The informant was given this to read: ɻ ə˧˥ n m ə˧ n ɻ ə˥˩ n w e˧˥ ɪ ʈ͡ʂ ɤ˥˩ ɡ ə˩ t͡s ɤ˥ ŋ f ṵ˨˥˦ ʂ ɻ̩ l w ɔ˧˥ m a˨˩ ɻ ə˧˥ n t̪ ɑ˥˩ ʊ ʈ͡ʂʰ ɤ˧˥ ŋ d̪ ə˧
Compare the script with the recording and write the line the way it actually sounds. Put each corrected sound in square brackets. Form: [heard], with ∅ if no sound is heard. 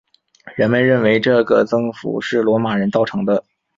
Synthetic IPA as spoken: ɻ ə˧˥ n m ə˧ n ɻ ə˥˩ n w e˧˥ ɪ ʈ͡ʂ ɤ˥˩ ɡ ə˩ t͡s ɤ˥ ŋ f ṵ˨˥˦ ʂ ɻ̩ l w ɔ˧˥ m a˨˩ ɻ ə˧˥ n t̪ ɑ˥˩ ʊ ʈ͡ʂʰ ɤ˧˥ ŋ d̪ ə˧